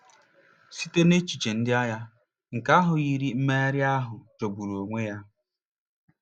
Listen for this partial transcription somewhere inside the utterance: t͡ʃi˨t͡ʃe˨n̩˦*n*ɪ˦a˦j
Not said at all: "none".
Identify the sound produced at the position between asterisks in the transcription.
d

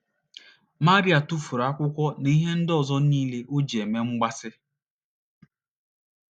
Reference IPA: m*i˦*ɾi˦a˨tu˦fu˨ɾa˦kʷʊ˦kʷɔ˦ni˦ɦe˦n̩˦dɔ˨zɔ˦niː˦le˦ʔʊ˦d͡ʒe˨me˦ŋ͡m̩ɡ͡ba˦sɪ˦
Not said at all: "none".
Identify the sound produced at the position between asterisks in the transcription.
a˦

